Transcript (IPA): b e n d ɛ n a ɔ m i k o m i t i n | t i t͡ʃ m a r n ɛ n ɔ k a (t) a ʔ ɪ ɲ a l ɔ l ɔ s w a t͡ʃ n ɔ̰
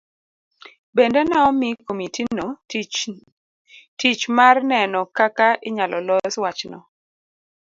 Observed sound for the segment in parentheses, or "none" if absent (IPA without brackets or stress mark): k